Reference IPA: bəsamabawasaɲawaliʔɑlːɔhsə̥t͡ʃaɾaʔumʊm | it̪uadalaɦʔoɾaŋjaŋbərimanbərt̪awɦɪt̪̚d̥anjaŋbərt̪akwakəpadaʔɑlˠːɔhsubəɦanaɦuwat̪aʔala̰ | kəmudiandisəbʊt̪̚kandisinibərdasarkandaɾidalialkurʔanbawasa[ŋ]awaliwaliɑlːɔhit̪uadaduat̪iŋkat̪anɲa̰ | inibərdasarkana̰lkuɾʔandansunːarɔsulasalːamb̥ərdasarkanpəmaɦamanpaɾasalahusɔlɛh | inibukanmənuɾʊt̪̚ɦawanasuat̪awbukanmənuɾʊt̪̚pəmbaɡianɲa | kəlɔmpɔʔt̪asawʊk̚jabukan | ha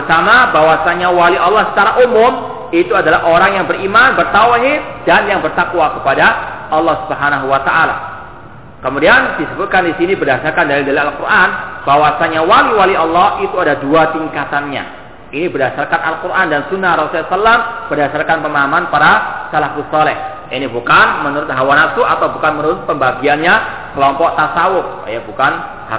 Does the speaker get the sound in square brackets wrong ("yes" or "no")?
yes